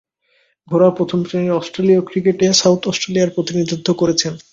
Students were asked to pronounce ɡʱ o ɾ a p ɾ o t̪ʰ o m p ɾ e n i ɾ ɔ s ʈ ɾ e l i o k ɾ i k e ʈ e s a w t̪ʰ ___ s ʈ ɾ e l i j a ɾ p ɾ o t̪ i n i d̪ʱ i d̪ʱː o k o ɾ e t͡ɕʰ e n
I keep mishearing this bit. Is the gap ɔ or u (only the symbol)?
ɔ